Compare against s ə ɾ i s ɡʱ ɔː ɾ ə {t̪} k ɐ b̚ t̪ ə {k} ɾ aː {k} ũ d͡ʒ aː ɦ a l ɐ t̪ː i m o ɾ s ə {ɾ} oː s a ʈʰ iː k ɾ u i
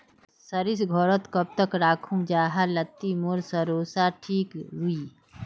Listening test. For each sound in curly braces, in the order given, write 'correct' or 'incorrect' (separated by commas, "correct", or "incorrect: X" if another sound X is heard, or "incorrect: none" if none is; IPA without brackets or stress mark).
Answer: correct, correct, incorrect: kʰ, correct